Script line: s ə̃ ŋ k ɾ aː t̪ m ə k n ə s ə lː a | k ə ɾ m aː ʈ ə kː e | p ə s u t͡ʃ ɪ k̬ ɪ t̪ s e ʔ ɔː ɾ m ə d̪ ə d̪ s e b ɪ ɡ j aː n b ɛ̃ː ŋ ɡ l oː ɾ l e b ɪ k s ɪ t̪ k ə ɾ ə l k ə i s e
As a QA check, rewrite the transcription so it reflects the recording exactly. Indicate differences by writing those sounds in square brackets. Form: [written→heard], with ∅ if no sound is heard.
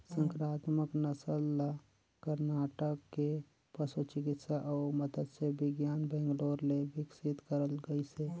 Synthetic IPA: s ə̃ ŋ k ɾ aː t̪ m ə k n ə s ə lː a | k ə ɾ [m→n] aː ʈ ə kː e | p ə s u t͡ʃ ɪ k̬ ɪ t̪ s [e→a] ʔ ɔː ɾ m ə d̪ ə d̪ s e b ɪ ɡ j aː n b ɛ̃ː ŋ ɡ l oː ɾ l e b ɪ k s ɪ t̪ k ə ɾ ə l [k→ɡ] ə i s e